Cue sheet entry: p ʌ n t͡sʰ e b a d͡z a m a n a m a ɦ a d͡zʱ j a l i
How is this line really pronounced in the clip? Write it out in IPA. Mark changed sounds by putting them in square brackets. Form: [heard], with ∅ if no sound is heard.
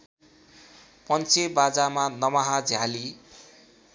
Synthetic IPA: p ʌ n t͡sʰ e b a d͡z a m a n [ʌ] m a ɦ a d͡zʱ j a l i